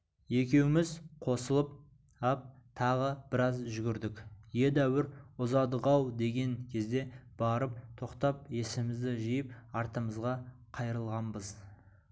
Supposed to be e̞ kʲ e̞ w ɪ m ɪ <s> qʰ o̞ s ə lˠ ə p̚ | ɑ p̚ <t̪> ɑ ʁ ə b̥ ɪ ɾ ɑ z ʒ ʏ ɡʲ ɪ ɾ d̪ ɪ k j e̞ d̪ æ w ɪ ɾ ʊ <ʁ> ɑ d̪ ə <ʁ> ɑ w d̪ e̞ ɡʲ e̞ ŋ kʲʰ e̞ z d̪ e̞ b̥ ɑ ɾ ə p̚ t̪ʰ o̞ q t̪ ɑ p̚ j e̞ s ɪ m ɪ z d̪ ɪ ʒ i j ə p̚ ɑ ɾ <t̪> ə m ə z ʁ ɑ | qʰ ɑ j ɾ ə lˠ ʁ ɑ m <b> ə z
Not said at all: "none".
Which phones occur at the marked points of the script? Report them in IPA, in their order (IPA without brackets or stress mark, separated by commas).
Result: z, t̪ʰ, z, ʁ, t̪, b